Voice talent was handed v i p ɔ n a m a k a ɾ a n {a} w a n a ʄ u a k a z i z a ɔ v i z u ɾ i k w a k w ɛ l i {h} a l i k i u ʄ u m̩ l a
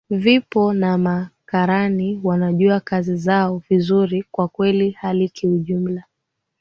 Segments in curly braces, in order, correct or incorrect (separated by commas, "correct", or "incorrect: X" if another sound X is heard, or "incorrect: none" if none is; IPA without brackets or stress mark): incorrect: i, correct